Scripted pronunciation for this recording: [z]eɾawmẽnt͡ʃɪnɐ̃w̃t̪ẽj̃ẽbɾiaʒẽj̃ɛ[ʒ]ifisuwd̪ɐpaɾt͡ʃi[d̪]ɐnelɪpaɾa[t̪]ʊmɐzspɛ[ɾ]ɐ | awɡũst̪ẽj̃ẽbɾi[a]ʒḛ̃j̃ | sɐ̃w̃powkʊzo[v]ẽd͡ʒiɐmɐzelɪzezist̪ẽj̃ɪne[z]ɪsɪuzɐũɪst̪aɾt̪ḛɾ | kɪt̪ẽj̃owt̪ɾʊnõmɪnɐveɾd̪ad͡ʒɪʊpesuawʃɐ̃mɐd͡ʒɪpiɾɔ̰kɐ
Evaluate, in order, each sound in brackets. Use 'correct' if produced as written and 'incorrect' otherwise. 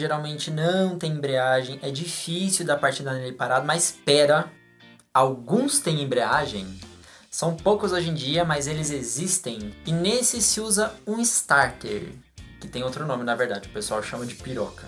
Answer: incorrect: ʒ, incorrect: d͡ʒ, correct, incorrect: d̪, correct, correct, incorrect: ʒ, incorrect: s

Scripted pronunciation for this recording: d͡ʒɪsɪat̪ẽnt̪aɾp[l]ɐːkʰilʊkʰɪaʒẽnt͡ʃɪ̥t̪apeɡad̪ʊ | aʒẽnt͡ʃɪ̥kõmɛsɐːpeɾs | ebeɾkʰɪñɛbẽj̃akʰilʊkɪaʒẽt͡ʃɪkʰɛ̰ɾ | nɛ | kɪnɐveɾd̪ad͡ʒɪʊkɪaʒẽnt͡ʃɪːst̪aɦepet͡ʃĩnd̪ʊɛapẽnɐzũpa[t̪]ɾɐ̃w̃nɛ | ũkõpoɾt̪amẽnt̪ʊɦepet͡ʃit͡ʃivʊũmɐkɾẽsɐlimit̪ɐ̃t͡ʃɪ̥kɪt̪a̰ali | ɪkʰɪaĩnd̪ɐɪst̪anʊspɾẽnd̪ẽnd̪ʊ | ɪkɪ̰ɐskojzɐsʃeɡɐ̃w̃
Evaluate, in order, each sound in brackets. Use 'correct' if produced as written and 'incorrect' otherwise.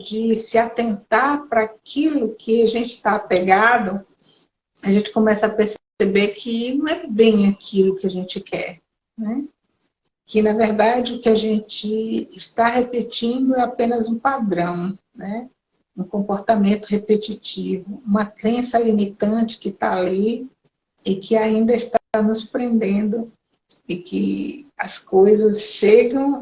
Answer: incorrect: ɾ, incorrect: d̪

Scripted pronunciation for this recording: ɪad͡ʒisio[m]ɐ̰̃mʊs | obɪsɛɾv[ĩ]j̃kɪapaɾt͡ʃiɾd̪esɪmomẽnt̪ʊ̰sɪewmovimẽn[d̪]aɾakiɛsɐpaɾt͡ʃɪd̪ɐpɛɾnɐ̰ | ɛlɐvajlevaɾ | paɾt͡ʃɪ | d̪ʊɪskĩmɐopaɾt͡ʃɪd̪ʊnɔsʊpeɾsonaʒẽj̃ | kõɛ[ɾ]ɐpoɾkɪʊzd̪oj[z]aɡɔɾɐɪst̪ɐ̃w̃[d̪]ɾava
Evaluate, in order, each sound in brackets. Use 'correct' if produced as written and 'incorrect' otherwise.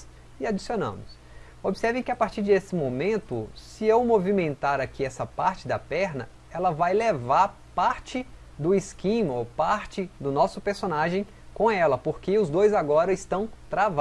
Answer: incorrect: n, incorrect: ẽ, incorrect: t̪, incorrect: l, correct, incorrect: t̪

